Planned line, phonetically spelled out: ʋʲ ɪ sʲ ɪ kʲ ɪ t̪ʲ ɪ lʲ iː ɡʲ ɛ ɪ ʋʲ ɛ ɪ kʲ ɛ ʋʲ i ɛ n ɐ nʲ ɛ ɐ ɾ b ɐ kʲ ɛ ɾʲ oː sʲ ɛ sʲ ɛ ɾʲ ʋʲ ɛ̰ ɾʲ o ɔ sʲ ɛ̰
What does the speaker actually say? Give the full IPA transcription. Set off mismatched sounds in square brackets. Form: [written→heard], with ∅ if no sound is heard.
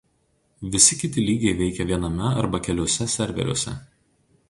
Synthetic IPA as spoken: ʋʲ ɪ sʲ ɪ kʲ ɪ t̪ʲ ɪ lʲ iː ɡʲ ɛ ɪ ʋʲ ɛ ɪ kʲ ɛ ʋʲ i ɛ n ɐ [nʲ→mʲ] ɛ ɐ ɾ b ɐ kʲ ɛ [ɾʲ→lʲ] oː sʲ ɛ sʲ ɛ ɾʲ ʋʲ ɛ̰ ɾʲ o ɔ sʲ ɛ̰